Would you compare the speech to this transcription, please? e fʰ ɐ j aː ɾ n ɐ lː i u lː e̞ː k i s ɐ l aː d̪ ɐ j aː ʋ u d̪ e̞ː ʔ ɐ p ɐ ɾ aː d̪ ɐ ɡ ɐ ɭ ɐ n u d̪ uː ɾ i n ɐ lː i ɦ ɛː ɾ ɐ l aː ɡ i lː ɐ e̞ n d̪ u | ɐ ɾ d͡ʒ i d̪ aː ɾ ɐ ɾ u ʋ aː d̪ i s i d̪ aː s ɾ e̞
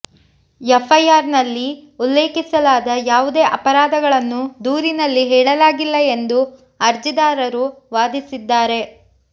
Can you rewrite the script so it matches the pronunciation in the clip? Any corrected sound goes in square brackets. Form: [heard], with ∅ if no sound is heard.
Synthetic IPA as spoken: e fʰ ɐ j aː ɾ n ɐ lː i u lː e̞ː k i s ɐ l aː d̪ ɐ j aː ʋ u d̪ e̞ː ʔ ɐ p ɐ ɾ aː d̪ ɐ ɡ ɐ ɭ ɐ [nː] u d̪ uː ɾ i n ɐ lː i ɦ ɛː [ɭ] ɐ l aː ɡ i lː ɐ e̞ n d̪ u | ɐ ɾ d͡ʒ i d̪ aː ɾ ɐ ɾ u ʋ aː d̪ i s i [d̪ː] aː [∅] ɾ e̞